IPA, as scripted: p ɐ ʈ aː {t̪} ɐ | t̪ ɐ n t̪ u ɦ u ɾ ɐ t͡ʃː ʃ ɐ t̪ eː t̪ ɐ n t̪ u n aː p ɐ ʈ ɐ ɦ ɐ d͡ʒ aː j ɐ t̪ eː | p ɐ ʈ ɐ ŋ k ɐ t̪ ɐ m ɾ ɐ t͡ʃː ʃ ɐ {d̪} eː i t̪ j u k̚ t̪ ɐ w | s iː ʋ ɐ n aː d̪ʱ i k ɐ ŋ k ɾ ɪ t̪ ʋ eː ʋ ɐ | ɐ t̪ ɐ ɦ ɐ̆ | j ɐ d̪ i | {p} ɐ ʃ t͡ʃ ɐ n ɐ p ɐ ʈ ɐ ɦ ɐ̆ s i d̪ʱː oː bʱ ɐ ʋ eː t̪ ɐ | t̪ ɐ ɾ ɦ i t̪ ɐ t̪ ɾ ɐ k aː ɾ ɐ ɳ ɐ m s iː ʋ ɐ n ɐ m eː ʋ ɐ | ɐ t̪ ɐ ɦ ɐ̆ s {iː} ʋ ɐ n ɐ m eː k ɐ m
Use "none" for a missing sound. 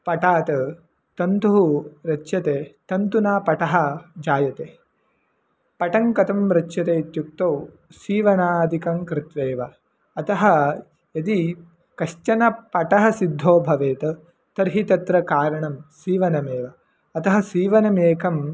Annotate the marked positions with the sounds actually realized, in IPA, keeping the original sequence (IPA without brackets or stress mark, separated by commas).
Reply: t̪, t̪, k, iː